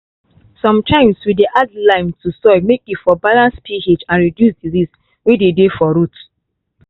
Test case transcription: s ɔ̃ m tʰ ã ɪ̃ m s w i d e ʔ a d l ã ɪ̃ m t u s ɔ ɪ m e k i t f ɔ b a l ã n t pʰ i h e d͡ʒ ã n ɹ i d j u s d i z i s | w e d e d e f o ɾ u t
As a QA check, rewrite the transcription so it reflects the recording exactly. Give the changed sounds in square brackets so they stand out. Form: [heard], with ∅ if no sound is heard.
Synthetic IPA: s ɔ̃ m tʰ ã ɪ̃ m s w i d e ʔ a d l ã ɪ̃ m t u s ɔ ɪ m e k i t f ɔ b a l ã n [s] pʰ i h e d͡ʒ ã n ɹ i d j u s d i z i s | w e d e d e f [ɔ] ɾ u t